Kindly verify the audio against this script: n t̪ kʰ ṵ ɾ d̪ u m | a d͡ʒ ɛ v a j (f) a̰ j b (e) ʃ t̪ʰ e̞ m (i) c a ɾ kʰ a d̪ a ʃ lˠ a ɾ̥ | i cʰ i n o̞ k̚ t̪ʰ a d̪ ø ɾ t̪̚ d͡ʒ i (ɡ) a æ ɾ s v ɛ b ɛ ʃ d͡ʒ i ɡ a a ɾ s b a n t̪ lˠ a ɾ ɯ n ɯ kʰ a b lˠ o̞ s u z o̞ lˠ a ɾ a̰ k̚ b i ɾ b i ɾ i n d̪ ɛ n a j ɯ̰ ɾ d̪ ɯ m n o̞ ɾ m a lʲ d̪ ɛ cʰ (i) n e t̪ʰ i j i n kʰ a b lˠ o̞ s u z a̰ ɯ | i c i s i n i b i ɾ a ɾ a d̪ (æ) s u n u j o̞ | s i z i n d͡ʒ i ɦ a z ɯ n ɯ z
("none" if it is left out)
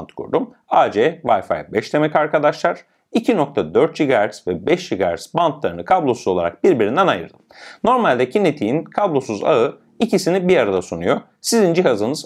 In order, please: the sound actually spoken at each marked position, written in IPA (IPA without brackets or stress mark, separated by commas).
f, ɛ, ɛ, ɡ, i, a